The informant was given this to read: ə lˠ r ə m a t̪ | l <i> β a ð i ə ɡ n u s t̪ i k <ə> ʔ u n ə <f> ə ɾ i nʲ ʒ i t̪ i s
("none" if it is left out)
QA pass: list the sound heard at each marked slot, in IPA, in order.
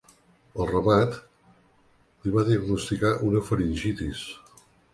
i, a, f

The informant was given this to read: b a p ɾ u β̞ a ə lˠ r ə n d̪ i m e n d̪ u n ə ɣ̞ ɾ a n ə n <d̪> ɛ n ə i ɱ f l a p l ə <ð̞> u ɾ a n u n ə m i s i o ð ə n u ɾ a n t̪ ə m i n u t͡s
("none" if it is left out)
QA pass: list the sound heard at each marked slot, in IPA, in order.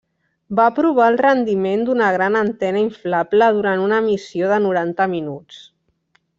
t̪, ð̞

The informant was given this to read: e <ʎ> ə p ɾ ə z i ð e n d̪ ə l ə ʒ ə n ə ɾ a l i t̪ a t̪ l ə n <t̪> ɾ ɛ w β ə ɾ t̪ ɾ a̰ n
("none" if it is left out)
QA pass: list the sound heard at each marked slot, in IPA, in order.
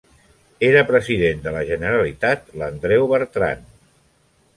ɾ, d̪

